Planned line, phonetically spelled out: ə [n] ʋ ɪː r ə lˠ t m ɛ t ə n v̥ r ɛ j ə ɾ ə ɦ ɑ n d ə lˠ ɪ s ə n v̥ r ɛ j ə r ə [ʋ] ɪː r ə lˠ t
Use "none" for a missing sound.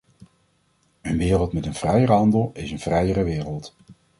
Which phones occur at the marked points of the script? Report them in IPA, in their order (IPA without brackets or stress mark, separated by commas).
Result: n, ʋ